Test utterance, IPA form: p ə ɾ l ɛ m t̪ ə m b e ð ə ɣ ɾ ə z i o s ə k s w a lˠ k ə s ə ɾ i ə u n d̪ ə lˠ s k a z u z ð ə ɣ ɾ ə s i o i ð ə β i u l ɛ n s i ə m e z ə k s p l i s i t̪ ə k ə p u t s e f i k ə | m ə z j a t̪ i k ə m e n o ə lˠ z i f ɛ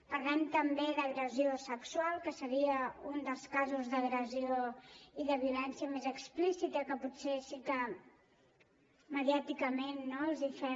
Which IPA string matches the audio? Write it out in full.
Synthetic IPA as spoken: p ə ɾ l ɛ m t̪ ə m b e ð ə ɣ ɾ ə z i o s ə k s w a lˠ k ə s ə ɾ i ə u n d̪ ə lˠ s k a z u z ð ə ɣ ɾ ə z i o i ð ə β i u l ɛ n s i ə m e z ə k s p l i s i t̪ ə k ə p u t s e s i k ə | m ə ð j a t̪ i k ə m e nː o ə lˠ z i f ɛ